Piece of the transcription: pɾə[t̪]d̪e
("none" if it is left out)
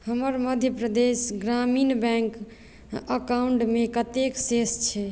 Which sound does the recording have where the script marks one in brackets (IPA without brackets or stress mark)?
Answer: none